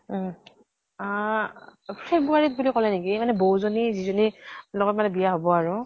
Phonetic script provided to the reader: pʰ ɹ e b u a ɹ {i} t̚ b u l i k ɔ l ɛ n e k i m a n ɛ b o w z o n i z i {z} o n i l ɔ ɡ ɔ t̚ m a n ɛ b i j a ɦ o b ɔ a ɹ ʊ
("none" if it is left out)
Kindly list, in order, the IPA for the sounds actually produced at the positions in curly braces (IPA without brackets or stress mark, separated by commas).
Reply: i, z